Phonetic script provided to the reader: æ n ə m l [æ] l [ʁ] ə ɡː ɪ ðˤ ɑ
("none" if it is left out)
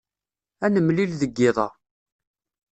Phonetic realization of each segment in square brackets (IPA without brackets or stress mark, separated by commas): i, ð